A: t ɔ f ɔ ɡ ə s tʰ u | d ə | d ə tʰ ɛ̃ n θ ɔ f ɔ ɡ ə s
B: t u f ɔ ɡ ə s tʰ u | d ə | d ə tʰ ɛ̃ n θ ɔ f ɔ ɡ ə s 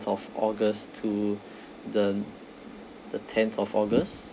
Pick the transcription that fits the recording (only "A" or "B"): A